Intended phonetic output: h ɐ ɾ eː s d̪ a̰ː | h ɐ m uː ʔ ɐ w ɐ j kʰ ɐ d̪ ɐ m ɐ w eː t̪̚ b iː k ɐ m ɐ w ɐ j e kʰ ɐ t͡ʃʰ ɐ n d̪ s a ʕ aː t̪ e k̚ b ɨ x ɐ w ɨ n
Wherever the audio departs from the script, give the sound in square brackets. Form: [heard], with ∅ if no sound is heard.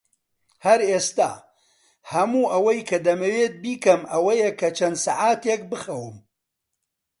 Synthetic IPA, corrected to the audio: h ɐ ɾ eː s [t̪] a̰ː | h ɐ m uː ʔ ɐ w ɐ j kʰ ɐ d̪ ɐ m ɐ w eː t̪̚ b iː k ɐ m ɐ w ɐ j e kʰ ɐ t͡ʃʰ ɐ n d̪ s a ʕ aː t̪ e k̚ b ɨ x ɐ w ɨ [m]